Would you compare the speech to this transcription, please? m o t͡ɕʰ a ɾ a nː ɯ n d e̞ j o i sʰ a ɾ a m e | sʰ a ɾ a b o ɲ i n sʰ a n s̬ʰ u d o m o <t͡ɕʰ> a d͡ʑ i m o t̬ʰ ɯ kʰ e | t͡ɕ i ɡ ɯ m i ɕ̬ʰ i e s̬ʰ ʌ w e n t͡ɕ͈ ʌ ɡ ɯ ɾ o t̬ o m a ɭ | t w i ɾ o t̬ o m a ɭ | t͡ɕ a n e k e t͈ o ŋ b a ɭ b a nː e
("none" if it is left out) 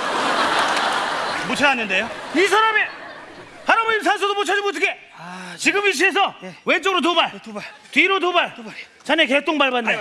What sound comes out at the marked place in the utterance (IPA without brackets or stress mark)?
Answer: t͡ɕʰ